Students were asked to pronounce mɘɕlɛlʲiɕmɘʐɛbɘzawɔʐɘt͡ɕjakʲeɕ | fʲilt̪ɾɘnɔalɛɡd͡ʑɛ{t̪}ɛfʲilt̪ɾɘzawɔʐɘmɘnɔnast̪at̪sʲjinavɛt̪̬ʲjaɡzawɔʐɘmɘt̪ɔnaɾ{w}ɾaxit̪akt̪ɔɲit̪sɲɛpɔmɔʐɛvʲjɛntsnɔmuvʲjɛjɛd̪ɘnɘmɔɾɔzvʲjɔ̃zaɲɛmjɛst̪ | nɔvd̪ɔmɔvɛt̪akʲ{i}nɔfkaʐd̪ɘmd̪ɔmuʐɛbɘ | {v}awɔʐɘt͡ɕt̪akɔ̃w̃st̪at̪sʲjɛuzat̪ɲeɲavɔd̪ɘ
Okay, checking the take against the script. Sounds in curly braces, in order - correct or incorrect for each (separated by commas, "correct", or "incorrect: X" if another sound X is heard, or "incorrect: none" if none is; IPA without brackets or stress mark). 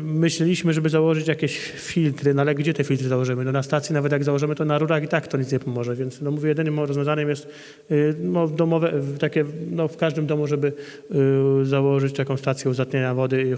correct, incorrect: u, incorrect: ɛ, incorrect: z